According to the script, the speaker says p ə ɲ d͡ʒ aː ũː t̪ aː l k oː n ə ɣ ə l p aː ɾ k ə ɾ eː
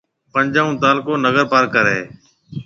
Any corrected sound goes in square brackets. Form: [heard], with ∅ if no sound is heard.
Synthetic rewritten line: p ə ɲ d͡ʒ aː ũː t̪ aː l k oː n ə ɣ ə [ɾ] p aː ɾ k ə ɾ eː